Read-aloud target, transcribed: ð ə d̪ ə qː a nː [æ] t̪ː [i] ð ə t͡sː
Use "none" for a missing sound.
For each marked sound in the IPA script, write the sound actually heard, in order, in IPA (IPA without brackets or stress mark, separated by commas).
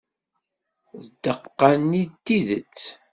i, i